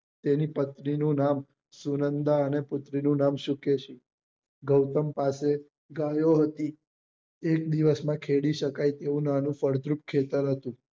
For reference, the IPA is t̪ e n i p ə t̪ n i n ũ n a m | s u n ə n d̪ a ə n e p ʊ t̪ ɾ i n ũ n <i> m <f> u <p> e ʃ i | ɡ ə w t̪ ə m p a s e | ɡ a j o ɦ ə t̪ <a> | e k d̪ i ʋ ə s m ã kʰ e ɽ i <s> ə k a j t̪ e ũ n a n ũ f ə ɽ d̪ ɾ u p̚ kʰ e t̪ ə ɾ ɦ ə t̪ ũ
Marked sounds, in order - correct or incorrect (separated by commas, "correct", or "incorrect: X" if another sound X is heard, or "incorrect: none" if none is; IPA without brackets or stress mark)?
incorrect: a, incorrect: ʃ, incorrect: k, incorrect: i, incorrect: ʃ